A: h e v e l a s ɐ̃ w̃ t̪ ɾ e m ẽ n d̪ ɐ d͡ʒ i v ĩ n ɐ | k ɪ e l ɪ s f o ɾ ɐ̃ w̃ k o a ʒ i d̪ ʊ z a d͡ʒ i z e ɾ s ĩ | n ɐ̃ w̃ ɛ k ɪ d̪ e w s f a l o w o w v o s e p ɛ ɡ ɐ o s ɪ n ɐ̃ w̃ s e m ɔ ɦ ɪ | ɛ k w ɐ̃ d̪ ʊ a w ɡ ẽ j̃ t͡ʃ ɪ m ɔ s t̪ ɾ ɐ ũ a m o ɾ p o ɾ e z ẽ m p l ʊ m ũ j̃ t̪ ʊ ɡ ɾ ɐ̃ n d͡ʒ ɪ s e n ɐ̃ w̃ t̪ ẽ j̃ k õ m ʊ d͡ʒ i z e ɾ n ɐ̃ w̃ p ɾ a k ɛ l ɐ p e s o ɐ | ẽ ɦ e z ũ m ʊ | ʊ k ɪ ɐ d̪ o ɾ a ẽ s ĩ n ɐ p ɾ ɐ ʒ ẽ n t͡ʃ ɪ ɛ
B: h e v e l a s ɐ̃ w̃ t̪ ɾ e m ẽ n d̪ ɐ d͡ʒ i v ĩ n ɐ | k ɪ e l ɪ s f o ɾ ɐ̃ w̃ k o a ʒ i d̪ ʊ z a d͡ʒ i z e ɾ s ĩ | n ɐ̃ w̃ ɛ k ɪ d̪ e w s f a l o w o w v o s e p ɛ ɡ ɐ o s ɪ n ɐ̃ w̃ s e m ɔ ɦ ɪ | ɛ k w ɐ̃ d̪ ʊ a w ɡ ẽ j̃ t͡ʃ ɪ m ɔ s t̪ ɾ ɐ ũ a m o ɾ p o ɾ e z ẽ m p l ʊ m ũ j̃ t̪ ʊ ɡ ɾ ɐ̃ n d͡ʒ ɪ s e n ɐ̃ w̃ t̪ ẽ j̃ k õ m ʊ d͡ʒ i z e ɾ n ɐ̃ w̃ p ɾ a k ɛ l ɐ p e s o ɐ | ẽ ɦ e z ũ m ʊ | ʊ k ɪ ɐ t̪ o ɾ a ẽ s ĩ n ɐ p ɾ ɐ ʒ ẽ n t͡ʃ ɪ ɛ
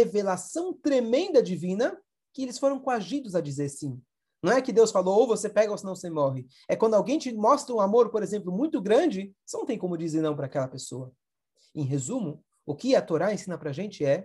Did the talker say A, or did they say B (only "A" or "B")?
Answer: B